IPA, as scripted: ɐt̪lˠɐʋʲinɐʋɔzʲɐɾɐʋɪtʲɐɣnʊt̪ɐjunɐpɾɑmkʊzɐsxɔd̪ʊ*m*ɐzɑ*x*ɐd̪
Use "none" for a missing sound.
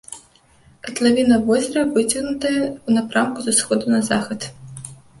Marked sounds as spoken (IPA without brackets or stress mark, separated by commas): n, x